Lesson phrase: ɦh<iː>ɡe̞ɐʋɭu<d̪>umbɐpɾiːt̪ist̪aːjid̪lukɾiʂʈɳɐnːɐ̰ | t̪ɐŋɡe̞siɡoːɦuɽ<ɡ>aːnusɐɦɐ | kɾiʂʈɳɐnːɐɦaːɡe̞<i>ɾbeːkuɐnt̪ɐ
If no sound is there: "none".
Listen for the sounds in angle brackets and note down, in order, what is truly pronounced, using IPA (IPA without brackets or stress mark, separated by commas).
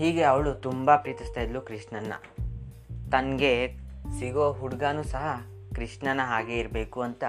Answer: iː, t̪, ɡ, i